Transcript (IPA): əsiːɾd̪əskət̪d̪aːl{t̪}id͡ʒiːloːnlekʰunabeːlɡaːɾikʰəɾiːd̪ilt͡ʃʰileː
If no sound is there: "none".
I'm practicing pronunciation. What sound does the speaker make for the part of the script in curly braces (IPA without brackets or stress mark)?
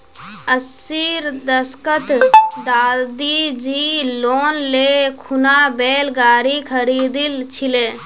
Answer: d̪